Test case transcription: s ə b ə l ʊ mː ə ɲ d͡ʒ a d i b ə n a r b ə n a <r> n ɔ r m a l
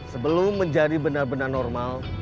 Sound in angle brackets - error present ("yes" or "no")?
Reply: no